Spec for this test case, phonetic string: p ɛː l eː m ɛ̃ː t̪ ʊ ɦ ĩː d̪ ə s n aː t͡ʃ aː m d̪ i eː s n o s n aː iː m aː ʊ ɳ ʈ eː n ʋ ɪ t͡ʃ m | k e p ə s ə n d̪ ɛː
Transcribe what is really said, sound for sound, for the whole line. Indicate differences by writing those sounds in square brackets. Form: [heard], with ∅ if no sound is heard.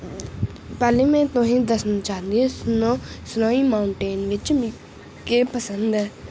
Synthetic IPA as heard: p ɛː l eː m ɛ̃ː t̪ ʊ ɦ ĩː d̪ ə s n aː t͡ʃ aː [n] d̪ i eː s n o s n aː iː m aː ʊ ɳ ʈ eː n ʋ ɪ t͡ʃ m | k e p ə s ə n d̪ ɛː